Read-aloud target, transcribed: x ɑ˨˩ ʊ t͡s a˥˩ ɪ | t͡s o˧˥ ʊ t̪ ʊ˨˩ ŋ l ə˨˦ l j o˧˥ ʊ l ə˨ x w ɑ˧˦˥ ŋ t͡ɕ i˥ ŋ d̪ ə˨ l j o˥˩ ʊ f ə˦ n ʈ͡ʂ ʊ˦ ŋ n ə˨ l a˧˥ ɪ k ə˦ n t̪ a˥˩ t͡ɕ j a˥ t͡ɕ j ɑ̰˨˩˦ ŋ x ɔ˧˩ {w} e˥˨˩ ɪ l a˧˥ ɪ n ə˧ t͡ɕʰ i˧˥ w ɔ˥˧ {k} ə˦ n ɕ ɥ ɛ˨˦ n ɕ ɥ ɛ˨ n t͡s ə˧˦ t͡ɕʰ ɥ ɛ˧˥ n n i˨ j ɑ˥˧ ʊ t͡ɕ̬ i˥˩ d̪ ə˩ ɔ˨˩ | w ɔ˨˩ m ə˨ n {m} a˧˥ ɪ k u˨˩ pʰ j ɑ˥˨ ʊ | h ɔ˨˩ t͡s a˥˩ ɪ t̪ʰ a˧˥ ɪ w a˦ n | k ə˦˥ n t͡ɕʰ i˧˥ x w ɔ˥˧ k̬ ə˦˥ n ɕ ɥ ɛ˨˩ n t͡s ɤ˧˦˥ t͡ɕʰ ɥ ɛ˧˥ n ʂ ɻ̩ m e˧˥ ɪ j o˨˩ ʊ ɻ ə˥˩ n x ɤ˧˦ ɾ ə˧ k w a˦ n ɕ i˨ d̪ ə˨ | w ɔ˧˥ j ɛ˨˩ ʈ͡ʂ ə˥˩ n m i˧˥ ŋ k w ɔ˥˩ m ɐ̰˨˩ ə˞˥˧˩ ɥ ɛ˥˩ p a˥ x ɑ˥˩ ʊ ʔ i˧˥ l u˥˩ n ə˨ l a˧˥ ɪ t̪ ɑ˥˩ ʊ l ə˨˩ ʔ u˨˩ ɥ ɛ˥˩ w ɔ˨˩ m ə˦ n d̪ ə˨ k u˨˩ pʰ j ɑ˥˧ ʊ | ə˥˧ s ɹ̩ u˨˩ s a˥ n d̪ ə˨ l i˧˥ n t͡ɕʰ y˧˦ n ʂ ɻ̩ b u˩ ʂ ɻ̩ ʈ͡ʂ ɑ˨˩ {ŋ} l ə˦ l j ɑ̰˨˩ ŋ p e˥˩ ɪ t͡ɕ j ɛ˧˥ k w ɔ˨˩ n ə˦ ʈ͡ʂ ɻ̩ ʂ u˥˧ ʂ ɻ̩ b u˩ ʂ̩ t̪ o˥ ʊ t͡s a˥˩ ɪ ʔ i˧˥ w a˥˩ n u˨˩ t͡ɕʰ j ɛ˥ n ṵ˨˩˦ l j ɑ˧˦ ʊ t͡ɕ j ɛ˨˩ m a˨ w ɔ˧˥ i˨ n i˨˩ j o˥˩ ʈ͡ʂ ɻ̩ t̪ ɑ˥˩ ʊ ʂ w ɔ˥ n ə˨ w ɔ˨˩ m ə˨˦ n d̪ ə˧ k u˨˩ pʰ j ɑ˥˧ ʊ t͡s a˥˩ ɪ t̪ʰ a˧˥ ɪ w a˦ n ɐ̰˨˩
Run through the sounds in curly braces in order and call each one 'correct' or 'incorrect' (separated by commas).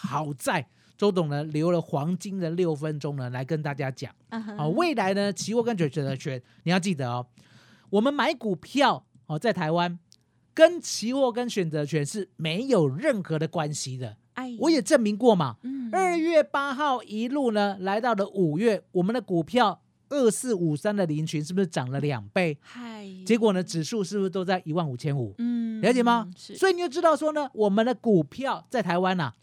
correct, correct, correct, correct